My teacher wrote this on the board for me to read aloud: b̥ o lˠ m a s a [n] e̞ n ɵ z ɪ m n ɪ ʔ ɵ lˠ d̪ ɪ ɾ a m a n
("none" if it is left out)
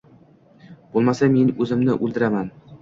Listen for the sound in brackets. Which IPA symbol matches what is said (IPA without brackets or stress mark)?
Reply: m